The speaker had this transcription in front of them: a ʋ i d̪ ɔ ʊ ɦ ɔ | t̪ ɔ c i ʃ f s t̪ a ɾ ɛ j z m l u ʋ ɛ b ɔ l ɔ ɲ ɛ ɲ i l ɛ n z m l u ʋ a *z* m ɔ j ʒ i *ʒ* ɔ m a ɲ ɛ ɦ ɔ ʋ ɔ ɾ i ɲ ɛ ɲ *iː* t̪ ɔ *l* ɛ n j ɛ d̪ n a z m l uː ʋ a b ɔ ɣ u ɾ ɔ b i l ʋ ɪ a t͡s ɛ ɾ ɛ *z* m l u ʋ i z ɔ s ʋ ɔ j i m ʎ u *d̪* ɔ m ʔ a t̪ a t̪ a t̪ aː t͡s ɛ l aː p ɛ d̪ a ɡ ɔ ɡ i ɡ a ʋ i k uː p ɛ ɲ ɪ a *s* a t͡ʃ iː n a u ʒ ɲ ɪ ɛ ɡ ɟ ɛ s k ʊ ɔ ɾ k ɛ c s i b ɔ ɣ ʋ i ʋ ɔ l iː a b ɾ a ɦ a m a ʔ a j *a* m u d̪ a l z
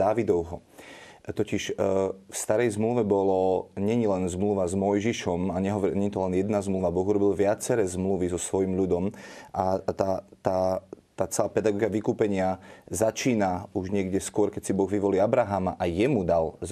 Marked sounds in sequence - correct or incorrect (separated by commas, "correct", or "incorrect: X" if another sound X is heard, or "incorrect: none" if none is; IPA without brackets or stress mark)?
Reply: correct, incorrect: ʃ, incorrect: i, correct, correct, correct, incorrect: z, incorrect: ɛ